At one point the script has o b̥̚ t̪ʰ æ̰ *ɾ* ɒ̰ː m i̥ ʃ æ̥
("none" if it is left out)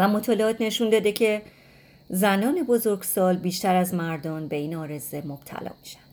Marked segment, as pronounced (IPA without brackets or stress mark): l